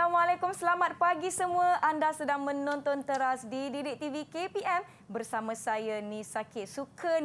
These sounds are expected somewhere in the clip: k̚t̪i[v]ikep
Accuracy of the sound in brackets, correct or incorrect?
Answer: correct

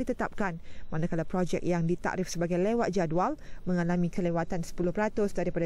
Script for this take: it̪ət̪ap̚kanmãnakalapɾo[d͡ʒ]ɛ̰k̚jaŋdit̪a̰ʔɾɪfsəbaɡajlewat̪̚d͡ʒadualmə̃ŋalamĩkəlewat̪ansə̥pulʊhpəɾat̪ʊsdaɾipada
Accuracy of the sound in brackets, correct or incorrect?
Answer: correct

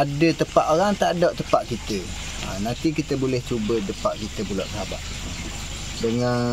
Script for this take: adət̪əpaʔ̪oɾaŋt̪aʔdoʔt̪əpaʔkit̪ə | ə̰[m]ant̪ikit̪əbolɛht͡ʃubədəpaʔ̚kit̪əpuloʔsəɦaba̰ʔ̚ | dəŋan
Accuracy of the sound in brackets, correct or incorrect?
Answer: incorrect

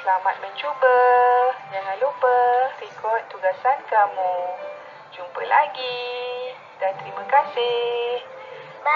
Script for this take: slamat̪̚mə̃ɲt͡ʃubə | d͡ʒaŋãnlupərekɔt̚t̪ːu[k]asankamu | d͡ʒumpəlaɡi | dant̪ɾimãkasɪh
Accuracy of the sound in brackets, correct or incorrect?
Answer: incorrect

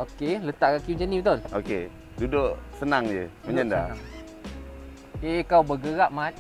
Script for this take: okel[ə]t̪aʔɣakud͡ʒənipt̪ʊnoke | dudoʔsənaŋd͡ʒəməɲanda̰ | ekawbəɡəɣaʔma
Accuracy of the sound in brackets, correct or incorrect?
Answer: correct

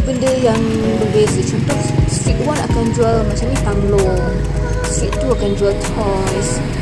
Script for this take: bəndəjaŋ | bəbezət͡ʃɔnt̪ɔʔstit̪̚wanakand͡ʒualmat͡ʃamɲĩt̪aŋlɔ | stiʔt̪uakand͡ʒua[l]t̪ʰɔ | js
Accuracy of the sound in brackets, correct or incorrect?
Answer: correct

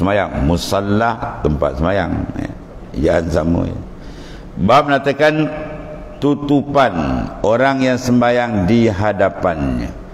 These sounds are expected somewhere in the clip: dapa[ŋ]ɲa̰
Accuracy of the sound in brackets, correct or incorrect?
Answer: incorrect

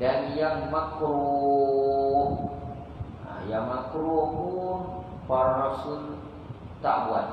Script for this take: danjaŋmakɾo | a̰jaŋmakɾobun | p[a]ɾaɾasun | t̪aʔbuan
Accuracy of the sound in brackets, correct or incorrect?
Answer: correct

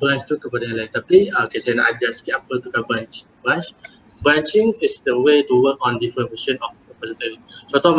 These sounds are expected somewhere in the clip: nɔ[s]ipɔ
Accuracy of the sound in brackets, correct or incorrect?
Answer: incorrect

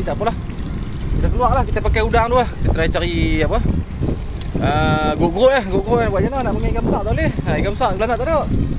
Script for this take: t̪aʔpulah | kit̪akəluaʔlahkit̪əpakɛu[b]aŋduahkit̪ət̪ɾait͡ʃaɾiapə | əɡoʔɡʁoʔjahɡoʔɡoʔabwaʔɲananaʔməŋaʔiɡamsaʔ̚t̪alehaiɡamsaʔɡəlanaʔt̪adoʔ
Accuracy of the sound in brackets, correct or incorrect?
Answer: incorrect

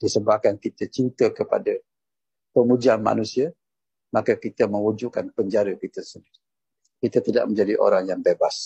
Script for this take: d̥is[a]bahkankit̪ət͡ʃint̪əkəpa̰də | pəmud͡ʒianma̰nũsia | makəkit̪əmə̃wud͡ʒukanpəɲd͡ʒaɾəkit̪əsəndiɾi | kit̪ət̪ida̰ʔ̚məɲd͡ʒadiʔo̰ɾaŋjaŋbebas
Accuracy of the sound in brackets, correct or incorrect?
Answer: incorrect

